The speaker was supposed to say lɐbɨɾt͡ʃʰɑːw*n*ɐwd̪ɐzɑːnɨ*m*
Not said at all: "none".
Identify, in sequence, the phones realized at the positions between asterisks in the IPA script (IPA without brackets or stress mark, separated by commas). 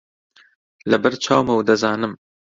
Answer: m, m